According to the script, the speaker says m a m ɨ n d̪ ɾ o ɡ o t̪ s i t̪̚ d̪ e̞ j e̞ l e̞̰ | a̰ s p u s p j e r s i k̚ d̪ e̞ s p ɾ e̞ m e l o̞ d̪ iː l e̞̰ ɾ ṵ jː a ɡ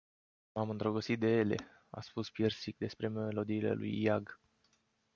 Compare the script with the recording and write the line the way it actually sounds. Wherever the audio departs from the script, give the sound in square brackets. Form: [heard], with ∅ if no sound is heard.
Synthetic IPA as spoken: m a m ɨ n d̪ ɾ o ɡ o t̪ s i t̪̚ d̪ e̞ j e̞ l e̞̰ | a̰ s p u s p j e r s i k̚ d̪ e̞ s p ɾ e̞ m e l o̞ d̪ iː l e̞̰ [l] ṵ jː a ɡ

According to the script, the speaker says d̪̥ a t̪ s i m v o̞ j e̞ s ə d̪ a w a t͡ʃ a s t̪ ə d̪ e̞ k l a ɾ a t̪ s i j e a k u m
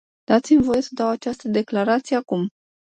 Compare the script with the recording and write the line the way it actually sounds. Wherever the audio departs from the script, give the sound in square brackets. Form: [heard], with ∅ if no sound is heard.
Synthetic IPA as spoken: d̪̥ a t̪ s i m v o̞ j e̞ s ə d̪ a w a t͡ʃ a s t̪ ə d̪ e̞ k l a ɾ a t̪ s i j e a k u m

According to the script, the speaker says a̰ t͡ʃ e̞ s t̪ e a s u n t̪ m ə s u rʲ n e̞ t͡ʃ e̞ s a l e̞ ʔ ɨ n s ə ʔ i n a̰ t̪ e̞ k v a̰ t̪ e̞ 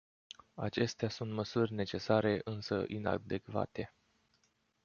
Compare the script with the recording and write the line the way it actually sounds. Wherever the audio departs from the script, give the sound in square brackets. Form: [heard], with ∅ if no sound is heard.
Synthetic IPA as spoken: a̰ t͡ʃ e̞ s t̪ e a s u n t̪ m ə s u rʲ n e̞ t͡ʃ e̞ s a [ɾ] e̞ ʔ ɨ n s ə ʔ i n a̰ [d̪] e̞ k v a̰ t̪ e̞

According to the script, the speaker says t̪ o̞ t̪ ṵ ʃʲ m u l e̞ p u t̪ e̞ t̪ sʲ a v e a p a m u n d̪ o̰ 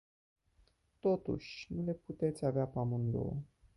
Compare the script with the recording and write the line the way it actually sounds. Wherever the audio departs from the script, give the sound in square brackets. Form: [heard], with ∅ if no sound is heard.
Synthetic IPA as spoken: t̪ o̞ t̪ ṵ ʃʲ [n] u l e̞ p u t̪ e̞ t̪ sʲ a v e a p a m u n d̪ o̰

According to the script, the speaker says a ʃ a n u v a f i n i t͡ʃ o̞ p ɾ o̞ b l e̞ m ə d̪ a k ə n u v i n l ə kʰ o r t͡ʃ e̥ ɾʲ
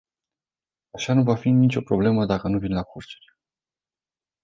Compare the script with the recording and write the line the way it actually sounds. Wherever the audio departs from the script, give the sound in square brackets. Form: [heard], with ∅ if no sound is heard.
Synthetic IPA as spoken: a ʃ a n u v a f i n i t͡ʃ o̞ p ɾ o̞ b l e̞ m ə d̪ a k ə n u v i n l [a] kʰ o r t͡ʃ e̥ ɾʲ

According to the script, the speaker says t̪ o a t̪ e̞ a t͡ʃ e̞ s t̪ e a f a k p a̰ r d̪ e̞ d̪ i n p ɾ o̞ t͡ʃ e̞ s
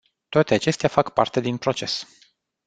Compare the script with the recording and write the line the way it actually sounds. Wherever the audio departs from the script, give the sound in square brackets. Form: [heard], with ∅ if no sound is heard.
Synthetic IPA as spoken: t̪ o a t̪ e̞ a t͡ʃ e̞ s t̪ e a f a k p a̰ r [t̪] e̞ d̪ i n p ɾ o̞ t͡ʃ e̞ s

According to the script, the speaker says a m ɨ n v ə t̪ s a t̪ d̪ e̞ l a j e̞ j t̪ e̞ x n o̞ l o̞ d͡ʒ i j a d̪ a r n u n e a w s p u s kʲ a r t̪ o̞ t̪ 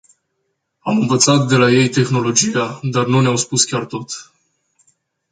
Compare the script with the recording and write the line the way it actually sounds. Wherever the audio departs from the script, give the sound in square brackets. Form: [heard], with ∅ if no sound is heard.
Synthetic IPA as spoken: a m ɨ n v ə t̪ s a t̪ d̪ e̞ l a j e̞ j t̪ e̞ x n o̞ l o̞ d͡ʒ i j a d̪ a r n u n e a w s p u s kʲ a r t̪ o̞ t̪

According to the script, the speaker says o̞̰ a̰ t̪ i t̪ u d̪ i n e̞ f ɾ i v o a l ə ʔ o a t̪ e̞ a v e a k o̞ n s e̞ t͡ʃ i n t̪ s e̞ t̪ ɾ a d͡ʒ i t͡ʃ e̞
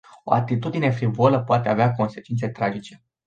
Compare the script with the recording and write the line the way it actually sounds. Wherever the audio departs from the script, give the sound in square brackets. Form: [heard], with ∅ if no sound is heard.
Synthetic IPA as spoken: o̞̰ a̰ t̪ i t̪ u d̪ i n e̞ f ɾ i v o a l ə [p] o a t̪ e̞ a v e a k o̞ n s e̞ t͡ʃ i n t̪ s e̞ t̪ ɾ a d͡ʒ i t͡ʃ e̞

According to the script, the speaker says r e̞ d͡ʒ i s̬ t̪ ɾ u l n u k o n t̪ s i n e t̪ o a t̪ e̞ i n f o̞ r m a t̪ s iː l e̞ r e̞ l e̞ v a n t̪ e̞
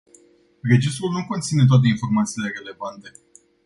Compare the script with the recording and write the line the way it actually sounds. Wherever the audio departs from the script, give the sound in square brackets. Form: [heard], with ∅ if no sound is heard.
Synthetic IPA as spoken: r e̞ d͡ʒ i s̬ t̪ ɾ u l n u k o n t̪ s i n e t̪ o a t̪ e̞ i n f o̞ r m a t̪ s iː l e̞ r e̞ l e̞ v a n t̪ e̞

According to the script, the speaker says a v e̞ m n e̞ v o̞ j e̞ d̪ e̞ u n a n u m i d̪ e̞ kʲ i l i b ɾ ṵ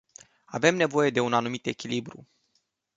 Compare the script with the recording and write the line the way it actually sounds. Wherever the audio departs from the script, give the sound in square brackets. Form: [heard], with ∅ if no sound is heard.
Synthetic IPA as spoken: a v e̞ m n e̞ v o̞ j e̞ d̪ e̞ u n a n u m i [t̪] e̞ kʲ i l i b ɾ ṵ

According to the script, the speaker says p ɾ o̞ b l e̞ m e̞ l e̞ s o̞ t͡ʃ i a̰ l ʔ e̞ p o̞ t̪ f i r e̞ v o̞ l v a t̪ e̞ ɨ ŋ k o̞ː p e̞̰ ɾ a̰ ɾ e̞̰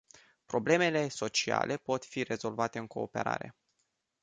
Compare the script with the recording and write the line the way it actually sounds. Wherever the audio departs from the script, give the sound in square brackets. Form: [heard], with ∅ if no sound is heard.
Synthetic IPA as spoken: p ɾ o̞ b l e̞ m e̞ l e̞ s o̞ t͡ʃ i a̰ l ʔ e̞ p o̞ t̪ f i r e̞ [z] o̞ l v a t̪ e̞ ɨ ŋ k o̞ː p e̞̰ ɾ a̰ ɾ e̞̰

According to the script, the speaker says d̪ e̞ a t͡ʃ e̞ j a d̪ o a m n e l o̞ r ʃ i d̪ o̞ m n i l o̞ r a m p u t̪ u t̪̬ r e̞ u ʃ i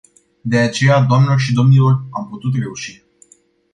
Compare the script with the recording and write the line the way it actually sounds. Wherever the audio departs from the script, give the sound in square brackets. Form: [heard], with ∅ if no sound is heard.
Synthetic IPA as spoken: d̪ e̞ a t͡ʃ e̞ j a d̪ o a m n e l o̞ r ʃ i d̪ o̞ m n i l o̞ r a m p u t̪ u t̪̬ r e̞ u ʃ i

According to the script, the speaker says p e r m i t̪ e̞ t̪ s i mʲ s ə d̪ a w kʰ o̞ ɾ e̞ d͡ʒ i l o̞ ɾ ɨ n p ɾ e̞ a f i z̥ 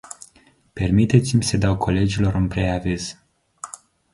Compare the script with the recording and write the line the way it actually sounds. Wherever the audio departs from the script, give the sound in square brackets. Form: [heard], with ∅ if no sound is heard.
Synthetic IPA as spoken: p e r m i t̪ e̞ t̪ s i mʲ s ə d̪ a w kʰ o̞ [l] e̞ d͡ʒ i l o̞ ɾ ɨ n p ɾ e̞ a [v] i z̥

